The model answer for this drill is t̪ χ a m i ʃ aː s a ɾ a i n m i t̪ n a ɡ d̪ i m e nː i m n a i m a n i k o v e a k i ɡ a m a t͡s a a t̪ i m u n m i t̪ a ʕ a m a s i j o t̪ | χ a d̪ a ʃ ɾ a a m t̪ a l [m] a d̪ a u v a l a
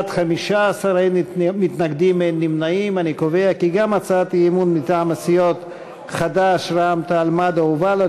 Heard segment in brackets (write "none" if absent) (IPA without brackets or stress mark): m